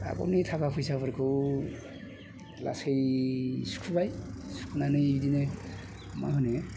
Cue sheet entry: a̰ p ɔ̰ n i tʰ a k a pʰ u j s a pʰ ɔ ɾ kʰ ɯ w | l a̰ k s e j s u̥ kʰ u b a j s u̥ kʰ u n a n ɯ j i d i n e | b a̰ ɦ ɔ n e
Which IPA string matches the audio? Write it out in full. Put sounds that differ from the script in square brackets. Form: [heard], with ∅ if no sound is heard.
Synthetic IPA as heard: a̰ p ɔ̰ n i tʰ a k a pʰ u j s a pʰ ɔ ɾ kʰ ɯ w | l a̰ [∅] s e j s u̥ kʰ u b a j s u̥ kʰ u n a n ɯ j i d i n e | [m] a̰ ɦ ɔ n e